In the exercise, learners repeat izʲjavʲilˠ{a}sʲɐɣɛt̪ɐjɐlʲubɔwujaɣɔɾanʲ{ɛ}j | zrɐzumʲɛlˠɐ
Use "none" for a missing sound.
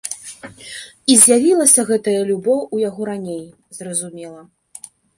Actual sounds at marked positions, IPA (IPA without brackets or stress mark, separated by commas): ɐ, e